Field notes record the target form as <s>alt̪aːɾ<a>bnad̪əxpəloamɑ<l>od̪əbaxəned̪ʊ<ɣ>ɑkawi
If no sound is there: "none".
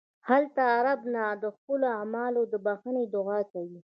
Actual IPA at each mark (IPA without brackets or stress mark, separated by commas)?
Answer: h, a, l, ɣ